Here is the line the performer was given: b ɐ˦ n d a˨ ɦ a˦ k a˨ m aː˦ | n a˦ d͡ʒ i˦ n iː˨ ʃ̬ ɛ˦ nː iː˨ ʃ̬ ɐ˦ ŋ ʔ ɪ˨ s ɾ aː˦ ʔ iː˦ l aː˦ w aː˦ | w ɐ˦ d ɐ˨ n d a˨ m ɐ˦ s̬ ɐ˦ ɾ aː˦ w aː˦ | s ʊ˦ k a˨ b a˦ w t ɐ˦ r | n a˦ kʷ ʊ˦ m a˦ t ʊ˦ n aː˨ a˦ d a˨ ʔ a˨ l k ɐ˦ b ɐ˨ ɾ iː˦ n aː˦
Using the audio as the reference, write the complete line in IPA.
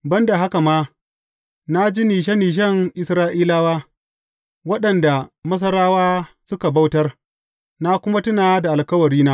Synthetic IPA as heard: b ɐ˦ n d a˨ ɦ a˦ k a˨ m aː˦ | n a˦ d͡ʒ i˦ n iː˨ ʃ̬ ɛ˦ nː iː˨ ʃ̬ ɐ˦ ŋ ʔ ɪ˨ s ɾ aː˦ ʔ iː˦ l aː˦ w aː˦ | w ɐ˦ ɗ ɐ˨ n d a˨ m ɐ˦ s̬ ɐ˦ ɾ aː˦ w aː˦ | s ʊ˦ k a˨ b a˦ w t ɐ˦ r | n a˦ kʷ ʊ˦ m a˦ t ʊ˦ n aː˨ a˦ d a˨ ʔ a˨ l k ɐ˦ w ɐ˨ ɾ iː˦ n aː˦